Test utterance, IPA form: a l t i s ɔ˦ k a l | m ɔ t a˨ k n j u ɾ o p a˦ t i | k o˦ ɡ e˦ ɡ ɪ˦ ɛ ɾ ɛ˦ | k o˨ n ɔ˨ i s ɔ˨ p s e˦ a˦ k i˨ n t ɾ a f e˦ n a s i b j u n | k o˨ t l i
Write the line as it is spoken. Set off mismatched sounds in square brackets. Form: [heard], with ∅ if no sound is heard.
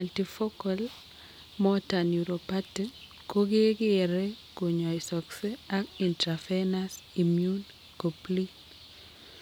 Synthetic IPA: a l t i [f] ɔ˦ k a l | m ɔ t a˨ [∅] n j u ɾ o p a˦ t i | k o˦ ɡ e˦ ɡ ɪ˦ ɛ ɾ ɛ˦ | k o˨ [ɲ] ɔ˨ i s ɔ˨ [k] s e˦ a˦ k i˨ n t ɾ a f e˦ n a s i [m] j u n | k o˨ [p] l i